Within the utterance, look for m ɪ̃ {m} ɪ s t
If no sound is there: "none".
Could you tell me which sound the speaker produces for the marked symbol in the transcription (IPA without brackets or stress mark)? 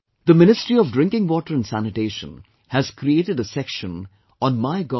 n